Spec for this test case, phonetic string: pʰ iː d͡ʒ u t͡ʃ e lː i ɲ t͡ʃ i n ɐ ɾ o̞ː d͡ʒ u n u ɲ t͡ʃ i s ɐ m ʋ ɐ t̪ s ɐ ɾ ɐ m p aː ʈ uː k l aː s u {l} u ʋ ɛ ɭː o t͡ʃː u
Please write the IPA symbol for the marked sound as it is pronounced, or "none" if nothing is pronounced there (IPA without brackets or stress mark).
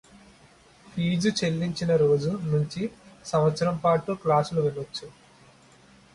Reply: l